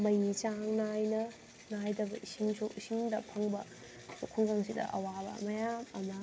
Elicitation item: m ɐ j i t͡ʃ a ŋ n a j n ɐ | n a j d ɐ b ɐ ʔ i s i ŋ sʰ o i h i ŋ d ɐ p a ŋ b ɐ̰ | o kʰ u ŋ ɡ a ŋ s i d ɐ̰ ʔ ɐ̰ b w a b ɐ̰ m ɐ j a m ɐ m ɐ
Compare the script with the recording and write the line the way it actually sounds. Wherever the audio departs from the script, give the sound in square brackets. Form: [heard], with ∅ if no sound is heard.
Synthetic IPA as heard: m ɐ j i t͡ʃ a ŋ n a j n ɐ | n a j d ɐ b ɐ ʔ i s i ŋ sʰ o i [s] i ŋ d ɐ [pʰ] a ŋ b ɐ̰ | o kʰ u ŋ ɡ a ŋ s i d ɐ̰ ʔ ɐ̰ [∅] w a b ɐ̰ m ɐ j a m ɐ m ɐ

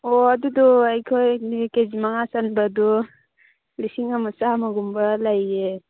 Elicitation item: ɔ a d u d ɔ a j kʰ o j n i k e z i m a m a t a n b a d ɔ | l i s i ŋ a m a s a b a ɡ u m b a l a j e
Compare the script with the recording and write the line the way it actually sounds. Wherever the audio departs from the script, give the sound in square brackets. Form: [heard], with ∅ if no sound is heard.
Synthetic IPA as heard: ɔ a d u d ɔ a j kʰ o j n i k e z i m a [ŋ] a [s] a n b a d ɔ | l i s i ŋ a m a s a [m] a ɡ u m b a l a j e

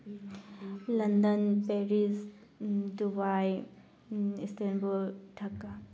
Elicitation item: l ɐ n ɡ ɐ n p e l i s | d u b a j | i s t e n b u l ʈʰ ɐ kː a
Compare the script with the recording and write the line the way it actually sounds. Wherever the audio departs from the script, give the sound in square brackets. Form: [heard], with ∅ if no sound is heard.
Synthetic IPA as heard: l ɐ n [d] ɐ n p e [ɾ] i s | d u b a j | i s t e n b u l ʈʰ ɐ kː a

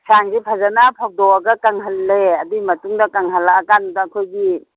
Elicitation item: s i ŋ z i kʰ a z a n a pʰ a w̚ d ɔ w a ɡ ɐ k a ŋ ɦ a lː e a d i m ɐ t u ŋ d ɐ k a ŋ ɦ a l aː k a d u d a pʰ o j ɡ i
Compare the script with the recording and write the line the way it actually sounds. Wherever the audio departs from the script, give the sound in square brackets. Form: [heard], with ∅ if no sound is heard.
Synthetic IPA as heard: s [a] ŋ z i [pʰ] a z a n a pʰ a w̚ d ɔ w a ɡ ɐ k a ŋ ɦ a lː e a d i m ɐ t u ŋ d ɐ k a ŋ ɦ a l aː k a [n] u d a [kʰ] o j ɡ i

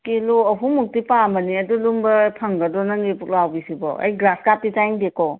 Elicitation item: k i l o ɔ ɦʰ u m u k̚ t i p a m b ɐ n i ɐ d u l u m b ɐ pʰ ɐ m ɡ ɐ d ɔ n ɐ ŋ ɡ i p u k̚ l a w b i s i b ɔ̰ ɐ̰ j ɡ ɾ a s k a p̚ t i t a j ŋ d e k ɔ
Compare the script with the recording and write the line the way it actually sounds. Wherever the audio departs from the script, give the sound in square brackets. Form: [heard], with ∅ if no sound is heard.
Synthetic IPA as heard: k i l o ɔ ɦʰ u m u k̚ t i p a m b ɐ n i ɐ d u l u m b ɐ pʰ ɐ [ŋ] ɡ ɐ d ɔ n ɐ ŋ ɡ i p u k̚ l a w b i s i b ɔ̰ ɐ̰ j ɡ ɾ a s k a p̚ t i t a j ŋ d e k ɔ

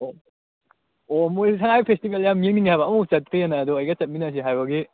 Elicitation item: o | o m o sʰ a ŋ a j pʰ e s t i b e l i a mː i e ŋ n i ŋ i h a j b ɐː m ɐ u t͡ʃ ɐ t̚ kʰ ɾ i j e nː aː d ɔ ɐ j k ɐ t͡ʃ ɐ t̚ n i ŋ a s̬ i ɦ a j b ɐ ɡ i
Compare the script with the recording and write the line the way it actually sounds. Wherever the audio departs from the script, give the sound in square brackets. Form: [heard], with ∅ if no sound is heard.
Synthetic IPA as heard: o | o m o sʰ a ŋ a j pʰ e s t i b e l [j] a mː i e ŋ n i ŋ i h a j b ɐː m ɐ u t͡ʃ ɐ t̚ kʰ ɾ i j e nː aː d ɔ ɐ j [ɡ] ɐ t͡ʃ ɐ t̚ [m] i [n] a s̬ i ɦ a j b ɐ ɡ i

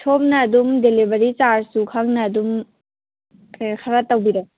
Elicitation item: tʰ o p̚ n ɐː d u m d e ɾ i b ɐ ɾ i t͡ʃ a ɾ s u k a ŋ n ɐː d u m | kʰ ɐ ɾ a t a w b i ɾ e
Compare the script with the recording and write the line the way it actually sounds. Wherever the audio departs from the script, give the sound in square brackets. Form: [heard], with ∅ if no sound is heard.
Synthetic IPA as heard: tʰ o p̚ n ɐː d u m d e [l] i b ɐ ɾ i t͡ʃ a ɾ s u [kʰ] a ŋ n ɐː d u m | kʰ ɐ ɾ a t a w b i ɾ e

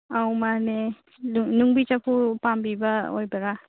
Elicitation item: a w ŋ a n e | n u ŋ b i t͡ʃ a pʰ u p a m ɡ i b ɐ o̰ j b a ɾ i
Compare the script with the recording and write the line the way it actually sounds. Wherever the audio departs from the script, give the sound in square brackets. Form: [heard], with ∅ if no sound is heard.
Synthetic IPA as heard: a w [m] a n e | n u ŋ b i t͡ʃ a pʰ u p a m [b] i b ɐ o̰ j b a ɾ [a]

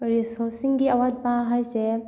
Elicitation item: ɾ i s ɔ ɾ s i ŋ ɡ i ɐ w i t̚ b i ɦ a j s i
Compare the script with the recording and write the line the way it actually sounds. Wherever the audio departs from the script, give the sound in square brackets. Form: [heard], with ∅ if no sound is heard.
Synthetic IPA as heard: ɾ i s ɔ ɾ s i ŋ ɡ i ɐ w [a] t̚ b [a] ɦ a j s [e]

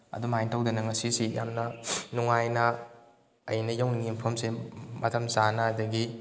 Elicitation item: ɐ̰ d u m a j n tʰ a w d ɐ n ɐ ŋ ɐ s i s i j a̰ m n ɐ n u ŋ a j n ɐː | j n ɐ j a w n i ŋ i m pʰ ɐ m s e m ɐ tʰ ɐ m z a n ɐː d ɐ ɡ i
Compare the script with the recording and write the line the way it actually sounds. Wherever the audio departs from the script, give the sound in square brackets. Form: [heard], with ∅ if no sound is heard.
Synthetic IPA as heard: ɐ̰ d u m a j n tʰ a w d ɐ n ɐ ŋ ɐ s i s i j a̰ m n ɐ n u ŋ a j n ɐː | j n ɐ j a w n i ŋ i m pʰ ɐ m s e m ɐ tʰ ɐ m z a n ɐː d ɐ ɡ i

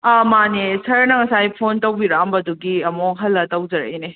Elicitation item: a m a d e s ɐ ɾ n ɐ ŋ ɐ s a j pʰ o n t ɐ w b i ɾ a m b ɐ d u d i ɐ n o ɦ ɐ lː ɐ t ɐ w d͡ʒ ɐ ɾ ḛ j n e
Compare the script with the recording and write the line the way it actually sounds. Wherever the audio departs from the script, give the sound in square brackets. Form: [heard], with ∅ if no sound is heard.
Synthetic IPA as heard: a m a [n] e s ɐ ɾ n ɐ ŋ ɐ s a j pʰ o n t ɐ w b i ɾ a m b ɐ d u [ɡ] i ɐ [m] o ɦ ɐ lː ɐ t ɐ w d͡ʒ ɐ ɾ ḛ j n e

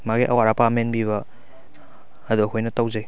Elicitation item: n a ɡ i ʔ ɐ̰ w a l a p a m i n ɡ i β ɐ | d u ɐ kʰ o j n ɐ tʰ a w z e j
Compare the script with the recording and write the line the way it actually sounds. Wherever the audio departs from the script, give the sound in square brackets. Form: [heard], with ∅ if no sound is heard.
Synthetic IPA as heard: [m] a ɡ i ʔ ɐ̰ w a [ɾ] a p a m [e] n [b] i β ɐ | d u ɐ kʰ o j n ɐ [t] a w z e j

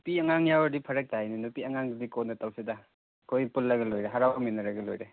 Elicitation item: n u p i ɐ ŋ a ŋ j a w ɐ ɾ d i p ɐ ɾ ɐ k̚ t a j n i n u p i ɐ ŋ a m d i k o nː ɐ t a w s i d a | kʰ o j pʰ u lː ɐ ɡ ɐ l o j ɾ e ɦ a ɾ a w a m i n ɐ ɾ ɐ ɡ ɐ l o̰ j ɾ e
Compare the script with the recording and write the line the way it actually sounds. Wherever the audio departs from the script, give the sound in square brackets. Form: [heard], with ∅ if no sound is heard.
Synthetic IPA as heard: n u p i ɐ ŋ a ŋ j a w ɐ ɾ d i [pʰ] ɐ ɾ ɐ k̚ t a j n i n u p i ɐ ŋ a [ŋ] d i k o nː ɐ t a w s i d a | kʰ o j [p] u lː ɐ ɡ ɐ l o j ɾ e ɦ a ɾ a w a m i n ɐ ɾ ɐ ɡ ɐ l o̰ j ɾ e

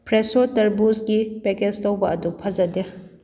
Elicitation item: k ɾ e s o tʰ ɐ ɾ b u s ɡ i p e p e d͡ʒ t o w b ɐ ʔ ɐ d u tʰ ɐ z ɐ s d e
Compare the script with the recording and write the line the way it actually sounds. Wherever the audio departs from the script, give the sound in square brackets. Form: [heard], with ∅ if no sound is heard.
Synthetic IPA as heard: [p] ɾ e s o [t] ɐ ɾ b u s ɡ i p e [k] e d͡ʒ t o w b ɐ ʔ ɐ d u [pʰ] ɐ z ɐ [∅] d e

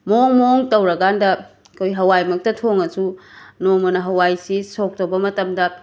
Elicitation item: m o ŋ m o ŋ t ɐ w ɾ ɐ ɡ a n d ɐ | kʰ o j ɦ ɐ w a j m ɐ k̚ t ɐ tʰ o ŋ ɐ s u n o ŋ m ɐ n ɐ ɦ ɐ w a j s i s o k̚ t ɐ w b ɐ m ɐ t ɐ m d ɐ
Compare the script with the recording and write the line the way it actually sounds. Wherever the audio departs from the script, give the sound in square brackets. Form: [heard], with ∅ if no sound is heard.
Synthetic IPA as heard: m o ŋ m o ŋ t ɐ w ɾ ɐ ɡ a n d ɐ | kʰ o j ɦ ɐ w a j m ɐ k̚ t ɐ tʰ o ŋ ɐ s u n o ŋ m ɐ n ɐ ɦ ɐ w a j s i s o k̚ t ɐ w b ɐ m ɐ t ɐ m d ɐ

